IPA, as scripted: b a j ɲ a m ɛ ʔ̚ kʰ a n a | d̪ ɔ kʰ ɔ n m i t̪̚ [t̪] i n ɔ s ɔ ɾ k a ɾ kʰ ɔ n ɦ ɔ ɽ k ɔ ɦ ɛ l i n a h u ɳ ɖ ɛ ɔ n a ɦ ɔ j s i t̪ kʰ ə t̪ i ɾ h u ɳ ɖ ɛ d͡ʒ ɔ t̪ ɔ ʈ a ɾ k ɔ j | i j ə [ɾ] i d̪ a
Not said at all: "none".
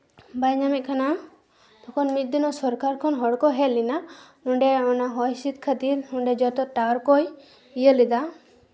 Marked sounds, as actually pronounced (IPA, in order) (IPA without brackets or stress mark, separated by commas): d̪, l